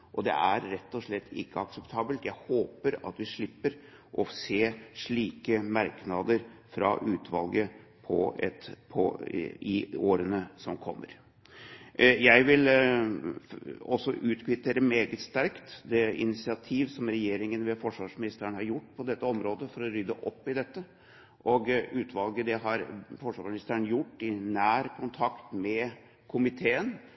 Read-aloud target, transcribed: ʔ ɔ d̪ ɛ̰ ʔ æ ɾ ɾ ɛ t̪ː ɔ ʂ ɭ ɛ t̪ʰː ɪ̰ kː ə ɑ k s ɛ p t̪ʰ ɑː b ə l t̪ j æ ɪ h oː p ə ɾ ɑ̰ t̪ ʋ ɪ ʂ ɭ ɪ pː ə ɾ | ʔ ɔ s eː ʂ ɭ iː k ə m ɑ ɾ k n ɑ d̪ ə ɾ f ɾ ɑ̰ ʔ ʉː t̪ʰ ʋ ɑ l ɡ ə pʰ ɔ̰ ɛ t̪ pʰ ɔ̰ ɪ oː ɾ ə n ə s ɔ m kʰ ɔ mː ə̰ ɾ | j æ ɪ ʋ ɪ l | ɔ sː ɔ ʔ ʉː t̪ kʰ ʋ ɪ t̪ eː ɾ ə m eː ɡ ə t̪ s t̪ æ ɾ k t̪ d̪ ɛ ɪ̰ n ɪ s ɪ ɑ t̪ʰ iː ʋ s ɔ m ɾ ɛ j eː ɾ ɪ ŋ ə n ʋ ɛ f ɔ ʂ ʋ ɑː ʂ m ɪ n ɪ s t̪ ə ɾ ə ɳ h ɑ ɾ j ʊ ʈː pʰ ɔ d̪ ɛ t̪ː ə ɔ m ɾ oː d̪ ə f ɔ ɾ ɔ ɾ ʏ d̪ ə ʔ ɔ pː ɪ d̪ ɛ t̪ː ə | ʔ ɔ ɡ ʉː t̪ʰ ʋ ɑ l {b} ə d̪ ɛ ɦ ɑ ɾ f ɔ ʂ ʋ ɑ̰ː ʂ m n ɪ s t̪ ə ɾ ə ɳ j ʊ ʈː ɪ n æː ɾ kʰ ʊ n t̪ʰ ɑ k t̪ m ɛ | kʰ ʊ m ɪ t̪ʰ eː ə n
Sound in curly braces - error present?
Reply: yes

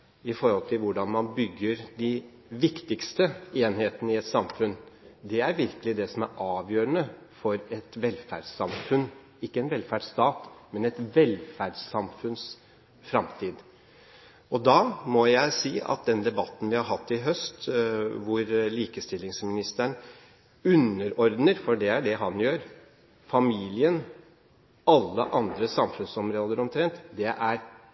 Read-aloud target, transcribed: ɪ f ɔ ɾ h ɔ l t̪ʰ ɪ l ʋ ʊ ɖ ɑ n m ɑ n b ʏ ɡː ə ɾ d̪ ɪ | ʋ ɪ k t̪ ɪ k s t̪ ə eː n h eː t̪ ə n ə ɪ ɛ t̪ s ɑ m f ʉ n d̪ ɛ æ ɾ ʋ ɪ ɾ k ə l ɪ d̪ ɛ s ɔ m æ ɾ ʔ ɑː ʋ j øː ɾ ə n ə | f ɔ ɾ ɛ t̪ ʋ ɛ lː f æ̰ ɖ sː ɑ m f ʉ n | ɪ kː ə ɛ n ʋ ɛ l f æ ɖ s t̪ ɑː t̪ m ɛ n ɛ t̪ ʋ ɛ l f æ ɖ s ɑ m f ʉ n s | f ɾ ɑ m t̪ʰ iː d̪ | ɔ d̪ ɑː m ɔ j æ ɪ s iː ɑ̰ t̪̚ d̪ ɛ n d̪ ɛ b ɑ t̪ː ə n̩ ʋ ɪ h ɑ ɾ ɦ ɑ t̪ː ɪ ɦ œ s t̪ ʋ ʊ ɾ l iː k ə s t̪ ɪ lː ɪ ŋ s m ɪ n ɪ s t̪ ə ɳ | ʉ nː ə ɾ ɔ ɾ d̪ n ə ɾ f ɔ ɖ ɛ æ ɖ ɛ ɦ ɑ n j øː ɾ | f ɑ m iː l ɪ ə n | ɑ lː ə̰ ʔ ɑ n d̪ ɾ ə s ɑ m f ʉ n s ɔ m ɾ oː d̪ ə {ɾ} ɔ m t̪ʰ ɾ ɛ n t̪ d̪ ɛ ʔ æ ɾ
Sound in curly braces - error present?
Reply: no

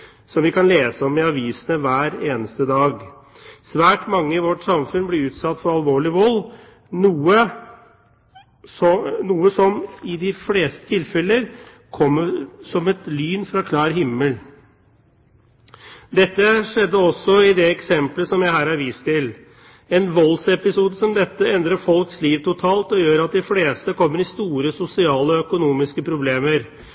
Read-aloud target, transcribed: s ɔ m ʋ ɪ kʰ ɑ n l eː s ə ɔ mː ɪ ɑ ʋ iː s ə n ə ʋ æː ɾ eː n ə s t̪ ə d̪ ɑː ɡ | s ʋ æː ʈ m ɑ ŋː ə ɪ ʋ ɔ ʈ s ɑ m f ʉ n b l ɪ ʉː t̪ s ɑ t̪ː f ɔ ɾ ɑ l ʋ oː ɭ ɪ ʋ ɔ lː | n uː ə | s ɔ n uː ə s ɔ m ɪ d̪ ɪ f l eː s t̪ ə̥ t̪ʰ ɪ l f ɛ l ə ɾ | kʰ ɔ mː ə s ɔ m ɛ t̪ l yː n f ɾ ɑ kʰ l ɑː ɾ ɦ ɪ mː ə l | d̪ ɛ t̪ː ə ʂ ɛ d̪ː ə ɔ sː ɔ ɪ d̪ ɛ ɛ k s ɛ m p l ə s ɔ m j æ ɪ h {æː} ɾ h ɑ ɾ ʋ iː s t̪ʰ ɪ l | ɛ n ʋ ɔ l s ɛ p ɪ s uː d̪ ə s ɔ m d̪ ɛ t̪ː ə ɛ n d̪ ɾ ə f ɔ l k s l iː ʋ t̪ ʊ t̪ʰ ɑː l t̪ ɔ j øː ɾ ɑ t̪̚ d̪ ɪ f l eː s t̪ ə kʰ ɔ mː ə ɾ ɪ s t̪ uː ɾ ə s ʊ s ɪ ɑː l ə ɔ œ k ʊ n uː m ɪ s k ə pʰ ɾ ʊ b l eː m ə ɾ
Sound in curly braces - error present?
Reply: no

